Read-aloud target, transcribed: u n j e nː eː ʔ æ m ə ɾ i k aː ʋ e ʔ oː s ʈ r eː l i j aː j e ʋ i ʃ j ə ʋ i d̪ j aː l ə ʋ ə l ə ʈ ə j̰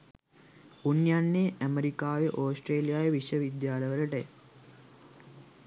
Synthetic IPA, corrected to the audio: u n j a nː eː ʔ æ m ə ɾ i k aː ʋ e ʔ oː s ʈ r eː l i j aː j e ʋ i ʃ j ə ʋ i d̪ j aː l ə ʋ ə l ə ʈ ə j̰